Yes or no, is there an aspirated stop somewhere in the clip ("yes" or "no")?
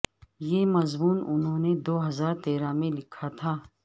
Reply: yes